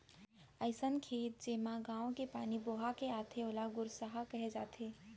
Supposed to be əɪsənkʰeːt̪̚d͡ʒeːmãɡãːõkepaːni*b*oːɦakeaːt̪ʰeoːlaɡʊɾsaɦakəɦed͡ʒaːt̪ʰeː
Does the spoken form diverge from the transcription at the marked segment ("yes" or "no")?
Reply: no